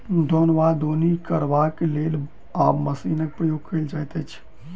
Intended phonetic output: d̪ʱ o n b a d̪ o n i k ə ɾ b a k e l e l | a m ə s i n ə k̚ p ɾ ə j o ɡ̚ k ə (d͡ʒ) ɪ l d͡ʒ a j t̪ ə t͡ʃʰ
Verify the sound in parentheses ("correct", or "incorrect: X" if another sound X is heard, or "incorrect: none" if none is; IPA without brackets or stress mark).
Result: incorrect: none